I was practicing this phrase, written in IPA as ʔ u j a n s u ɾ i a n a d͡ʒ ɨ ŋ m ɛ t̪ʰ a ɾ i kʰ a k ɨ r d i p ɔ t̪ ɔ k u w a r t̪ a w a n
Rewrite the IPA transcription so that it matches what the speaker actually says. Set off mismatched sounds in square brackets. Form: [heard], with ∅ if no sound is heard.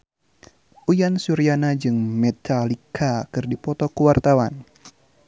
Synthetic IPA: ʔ u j a n s u ɾ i a n a d͡ʒ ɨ ŋ m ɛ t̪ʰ a [l] i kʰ a k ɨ r d i p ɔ t̪ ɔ k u w a r t̪ a w a n